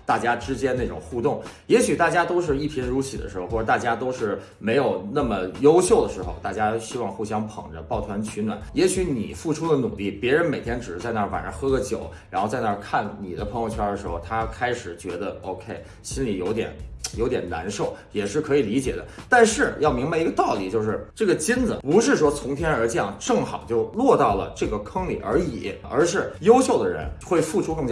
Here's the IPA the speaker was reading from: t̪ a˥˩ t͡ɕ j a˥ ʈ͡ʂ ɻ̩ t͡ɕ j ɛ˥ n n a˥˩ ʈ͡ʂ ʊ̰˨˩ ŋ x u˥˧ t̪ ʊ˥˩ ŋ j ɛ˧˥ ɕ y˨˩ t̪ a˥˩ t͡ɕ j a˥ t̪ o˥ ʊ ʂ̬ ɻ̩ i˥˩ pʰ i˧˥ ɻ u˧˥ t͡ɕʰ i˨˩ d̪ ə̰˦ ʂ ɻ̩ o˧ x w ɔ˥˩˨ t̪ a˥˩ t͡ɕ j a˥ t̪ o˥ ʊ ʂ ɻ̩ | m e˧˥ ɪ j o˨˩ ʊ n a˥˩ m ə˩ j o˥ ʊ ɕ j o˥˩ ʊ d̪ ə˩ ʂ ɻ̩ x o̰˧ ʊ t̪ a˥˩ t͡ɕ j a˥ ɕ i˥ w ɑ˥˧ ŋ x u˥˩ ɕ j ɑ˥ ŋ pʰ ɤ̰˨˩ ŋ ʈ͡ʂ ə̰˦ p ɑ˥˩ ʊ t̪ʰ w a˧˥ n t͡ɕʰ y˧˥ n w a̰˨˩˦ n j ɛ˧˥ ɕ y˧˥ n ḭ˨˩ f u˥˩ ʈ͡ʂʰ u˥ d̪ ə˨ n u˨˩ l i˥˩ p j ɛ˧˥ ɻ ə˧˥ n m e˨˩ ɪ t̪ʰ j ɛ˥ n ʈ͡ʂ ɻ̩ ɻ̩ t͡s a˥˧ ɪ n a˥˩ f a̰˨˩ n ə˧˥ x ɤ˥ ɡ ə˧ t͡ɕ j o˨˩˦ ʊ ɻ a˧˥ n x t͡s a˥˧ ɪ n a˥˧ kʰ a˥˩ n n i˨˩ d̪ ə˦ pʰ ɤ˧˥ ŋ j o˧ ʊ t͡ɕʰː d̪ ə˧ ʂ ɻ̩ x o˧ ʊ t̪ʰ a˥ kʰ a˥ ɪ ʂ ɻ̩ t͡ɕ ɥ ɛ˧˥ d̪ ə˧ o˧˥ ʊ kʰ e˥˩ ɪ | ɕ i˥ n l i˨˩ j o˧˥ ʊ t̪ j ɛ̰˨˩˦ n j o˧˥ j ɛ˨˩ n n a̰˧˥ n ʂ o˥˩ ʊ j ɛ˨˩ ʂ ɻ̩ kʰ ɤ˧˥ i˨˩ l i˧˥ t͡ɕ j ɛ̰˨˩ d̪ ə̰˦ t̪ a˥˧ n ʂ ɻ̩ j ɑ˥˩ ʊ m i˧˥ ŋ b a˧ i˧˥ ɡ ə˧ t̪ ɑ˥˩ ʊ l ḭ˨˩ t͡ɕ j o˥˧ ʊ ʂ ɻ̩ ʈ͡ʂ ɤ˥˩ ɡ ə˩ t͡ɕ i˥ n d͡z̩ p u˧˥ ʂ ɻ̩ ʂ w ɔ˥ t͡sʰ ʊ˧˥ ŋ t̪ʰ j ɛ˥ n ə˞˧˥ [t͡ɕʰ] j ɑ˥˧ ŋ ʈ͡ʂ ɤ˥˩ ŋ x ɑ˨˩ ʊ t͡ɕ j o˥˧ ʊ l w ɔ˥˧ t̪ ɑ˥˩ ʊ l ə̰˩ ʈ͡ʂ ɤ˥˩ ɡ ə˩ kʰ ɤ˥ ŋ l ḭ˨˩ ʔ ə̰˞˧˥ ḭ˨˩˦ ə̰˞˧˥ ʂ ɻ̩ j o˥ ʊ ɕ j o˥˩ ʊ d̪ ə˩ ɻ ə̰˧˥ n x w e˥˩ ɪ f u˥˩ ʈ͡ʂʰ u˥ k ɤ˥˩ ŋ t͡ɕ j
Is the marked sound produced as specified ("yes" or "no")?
no